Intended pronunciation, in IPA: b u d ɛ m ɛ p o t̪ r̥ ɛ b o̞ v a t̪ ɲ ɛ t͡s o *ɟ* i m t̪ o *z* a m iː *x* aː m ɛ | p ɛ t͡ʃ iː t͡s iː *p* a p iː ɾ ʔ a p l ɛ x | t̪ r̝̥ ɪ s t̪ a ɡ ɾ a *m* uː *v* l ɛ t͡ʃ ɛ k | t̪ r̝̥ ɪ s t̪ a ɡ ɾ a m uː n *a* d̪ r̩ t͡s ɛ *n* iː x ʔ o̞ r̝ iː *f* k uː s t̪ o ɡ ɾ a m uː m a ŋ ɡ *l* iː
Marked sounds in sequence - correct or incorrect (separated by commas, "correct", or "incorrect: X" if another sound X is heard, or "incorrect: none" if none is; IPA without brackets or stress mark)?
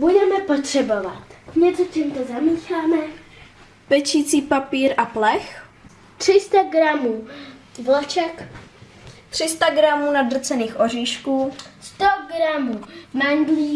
incorrect: c, correct, correct, correct, correct, correct, correct, correct, incorrect: ʃ, correct